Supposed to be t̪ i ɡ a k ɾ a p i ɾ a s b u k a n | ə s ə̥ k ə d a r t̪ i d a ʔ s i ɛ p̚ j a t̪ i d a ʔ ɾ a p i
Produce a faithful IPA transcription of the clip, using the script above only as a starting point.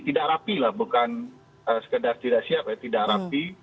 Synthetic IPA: t̪ i d a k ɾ a p i l a h b u k a n | ə s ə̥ k ə d a r t̪ i d a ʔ s i a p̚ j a t̪ i d a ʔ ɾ a p i